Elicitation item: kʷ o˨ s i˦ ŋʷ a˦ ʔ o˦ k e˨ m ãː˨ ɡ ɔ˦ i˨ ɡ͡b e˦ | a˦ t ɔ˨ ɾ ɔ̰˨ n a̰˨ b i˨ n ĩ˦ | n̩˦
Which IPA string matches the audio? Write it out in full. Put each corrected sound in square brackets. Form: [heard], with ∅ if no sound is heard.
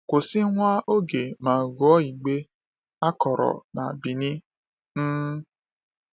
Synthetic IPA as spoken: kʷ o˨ s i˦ ŋʷ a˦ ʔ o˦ [ɡ] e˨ m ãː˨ ɡ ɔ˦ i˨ ɡ͡b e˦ | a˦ [k] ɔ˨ ɾ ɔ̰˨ n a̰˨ b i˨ n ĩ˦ | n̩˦